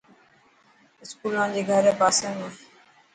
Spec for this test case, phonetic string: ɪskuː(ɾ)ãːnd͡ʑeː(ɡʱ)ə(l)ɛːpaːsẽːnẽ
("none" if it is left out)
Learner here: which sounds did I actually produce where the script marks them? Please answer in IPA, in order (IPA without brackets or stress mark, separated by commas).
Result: l, ɡʱ, ɾ